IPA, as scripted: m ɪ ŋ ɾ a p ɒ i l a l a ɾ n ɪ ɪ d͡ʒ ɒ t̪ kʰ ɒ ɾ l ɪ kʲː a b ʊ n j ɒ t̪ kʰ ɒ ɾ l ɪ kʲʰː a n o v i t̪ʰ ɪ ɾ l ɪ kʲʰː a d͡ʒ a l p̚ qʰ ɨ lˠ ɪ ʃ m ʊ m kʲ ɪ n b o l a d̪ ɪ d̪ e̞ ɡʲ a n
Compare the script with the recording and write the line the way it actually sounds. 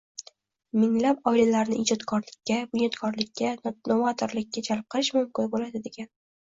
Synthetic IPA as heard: m ɪ ŋ l a p ɒ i l a l a ɾ n ɪ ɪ d͡ʒ ɒ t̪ kʰ ɒ ɾ l ɪ kʲː a b ʊ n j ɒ t̪ kʰ ɒ ɾ l ɪ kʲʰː a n o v a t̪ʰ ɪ ɾ l ɪ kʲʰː a d͡ʒ a l p̚ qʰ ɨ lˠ ɪ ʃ m ʊ m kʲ ɪ n b o l a d̪ ɪ d̪ e̞ ɡʲ a n